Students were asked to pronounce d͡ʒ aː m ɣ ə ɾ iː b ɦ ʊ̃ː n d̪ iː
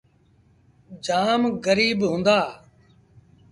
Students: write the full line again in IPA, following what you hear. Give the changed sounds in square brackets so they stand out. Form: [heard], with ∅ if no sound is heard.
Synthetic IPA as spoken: d͡ʒ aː m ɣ ə ɾ iː b ɦ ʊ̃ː n d̪ [aː]